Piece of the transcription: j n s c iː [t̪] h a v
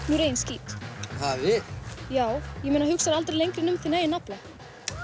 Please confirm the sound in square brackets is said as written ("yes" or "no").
yes